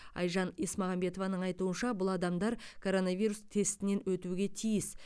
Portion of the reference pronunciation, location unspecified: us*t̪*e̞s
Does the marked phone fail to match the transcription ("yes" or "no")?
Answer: yes